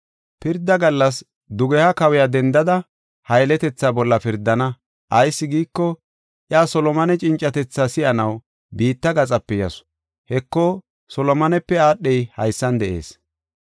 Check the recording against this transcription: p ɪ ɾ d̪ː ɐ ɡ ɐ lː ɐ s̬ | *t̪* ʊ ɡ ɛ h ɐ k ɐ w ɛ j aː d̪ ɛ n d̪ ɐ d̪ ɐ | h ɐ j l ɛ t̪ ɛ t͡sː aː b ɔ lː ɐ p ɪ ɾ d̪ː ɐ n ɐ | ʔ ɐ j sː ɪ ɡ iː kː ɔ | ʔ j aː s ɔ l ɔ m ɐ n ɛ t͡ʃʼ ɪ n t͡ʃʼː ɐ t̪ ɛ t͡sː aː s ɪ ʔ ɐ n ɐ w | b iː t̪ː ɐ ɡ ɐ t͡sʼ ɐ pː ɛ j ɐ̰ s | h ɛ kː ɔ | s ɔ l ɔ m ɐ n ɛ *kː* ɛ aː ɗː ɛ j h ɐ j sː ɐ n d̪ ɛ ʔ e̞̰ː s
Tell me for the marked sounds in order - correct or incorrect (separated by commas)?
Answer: incorrect, incorrect